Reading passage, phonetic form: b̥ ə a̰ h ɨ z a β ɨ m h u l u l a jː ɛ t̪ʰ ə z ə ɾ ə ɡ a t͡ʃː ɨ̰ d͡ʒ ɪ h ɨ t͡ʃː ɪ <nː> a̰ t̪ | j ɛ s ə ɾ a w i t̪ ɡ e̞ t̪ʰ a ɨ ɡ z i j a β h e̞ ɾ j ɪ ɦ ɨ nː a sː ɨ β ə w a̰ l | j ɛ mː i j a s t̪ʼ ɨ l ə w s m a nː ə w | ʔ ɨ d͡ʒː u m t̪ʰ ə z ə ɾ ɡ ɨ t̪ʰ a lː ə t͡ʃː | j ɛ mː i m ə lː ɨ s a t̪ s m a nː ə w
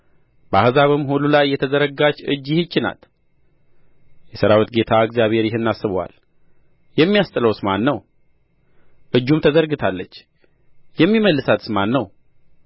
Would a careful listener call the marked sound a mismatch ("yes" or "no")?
yes